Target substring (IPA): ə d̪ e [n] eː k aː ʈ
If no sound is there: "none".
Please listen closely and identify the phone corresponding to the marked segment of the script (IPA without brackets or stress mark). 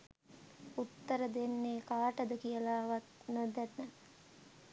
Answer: nː